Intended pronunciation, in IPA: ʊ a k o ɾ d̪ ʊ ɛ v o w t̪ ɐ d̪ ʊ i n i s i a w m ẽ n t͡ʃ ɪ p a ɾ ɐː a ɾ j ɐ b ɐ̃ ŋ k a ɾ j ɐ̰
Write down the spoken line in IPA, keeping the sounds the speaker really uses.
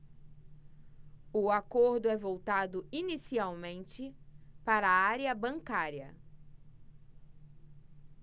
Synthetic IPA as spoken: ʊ a k o ɾ d̪ ʊ ɛ v o w t̪ a d̪ ʊ i n i s i a w m ẽ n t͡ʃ ɪ p a ɾ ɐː a ɾ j ɐ b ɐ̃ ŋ k a ɾ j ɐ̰

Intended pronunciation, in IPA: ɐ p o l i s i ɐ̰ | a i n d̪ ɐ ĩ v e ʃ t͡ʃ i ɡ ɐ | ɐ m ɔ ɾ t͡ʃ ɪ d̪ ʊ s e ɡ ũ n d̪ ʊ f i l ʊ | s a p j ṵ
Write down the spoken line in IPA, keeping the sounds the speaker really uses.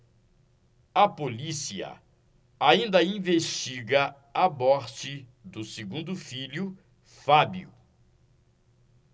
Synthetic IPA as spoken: ɐ p o l i s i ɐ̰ | a ĩ n d̪ ɐ ĩ v e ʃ t͡ʃ i ɡ ɐ | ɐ m ɔ ɾ t͡ʃ ɪ d̪ ʊ s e ɡ ũ n d̪ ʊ f i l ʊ | f a b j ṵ

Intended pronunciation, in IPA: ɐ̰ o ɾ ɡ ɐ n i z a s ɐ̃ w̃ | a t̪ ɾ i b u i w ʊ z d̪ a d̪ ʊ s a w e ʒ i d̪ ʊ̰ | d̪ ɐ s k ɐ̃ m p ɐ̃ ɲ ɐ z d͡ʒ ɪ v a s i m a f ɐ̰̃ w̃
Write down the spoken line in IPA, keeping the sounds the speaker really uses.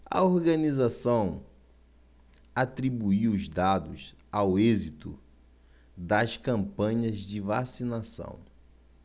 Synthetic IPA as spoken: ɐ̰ o ɾ ɡ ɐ n i z a s ɐ̃ w̃ | a t̪ ɾ i b u i w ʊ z d̪ a d̪ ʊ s a w e z i t̪ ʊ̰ | d̪ ɐ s k ɐ̃ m p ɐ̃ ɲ ɐ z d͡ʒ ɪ v a s i n a s ɐ̰̃ w̃

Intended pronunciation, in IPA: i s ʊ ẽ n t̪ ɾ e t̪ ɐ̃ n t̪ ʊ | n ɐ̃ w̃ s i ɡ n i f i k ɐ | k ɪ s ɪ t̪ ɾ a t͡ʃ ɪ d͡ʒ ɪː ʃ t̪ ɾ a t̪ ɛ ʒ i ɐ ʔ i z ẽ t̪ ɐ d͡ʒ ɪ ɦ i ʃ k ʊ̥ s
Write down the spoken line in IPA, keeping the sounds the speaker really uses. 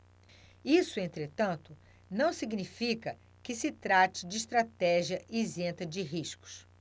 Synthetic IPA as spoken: i s ʊ ẽ n t̪ ɾ e t̪ ɐ̃ n t̪ ʊ | n ɐ̃ w̃ s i ɡ n i f i k ɐ | k ɪ s ɪ t̪ ɾ a t͡ʃ ɪ d͡ʒ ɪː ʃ t̪ ɾ a t̪ ɛ ʒ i ɐ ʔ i z ẽ t̪ ɐ d͡ʒ ɪ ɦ i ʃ k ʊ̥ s

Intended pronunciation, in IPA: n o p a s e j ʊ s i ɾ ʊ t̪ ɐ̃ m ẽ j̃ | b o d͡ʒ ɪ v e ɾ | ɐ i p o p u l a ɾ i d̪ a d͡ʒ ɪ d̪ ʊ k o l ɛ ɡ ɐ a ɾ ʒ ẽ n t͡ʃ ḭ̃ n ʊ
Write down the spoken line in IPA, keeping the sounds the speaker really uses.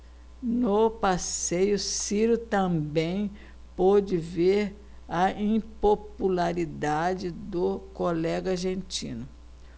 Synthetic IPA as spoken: n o p a s e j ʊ s i ɾ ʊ t̪ ɐ̃ b ẽ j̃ | p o d͡ʒ ɪ v e ɾ | ɐ ĩ p o p u l a ɾ i d̪ a d͡ʒ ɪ d̪ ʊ k o l ɛ ɡ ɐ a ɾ ʒ ẽ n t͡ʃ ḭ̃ n ʊ

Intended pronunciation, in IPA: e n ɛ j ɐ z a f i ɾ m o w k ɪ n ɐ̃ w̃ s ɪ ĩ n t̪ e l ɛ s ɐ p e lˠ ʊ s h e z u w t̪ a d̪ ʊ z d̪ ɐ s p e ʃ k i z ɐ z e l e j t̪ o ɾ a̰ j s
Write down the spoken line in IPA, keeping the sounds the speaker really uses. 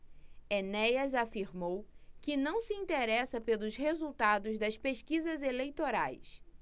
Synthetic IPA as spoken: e n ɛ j ɐ z a f i ɾ m o w k ɪ n ɐ̃ w̃ s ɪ ĩ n t̪ e ɾ ɛ s ɐ p e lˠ ʊ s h e z u w t̪ a d̪ ʊ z d̪ ɐ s p e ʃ k i z ɐ z e l e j t̪ o ɾ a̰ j s

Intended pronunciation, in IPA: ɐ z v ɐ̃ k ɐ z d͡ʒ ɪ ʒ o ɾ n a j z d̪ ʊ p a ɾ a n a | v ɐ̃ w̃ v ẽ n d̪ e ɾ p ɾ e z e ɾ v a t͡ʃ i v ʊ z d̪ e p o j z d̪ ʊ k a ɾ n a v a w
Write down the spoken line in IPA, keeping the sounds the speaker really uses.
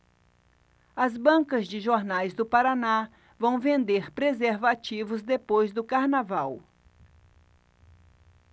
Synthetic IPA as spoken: ɐ z b ɐ̃ k ɐ z d͡ʒ ɪ ʒ o ɾ n a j z d̪ ʊ p a ɾ a n a | v ɐ̃ w̃ v ẽ n d̪ e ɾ p ɾ e z e ɾ v a t͡ʃ i v ʊ z d̪ e p o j z d̪ ʊ k a ɾ n a v a w

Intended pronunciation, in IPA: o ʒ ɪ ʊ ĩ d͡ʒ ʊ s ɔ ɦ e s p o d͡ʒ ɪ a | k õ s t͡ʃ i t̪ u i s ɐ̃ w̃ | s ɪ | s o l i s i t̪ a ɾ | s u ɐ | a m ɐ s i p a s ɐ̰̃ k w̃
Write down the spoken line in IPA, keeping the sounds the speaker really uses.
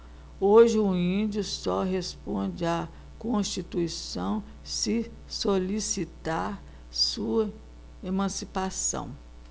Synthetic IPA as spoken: o ʒ ɪ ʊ ĩ d͡ʒ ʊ s ɔ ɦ e s p õ d͡ʒ ɪ a | k õ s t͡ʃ i t̪ u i s ɐ̃ w̃ | s ɪ | s o l i s i t̪ a ɾ | s u ɐ | e m ɐ̃ s i p a s ɐ̰̃ w̃

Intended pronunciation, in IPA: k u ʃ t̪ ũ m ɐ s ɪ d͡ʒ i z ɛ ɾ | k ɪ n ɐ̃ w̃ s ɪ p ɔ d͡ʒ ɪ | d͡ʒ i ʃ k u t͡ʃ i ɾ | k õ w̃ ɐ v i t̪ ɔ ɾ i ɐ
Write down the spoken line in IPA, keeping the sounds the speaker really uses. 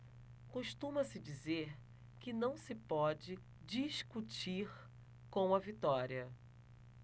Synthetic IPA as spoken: k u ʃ t̪ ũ m ɐ s ɪ d͡ʒ i z e ɾ | k ɪ n ɐ̃ w̃ s ɪ p ɔ d͡ʒ ɪ | d͡ʒ i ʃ k u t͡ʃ i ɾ | k õ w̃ ɐ v i t̪ ɔ ɾ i ɐ

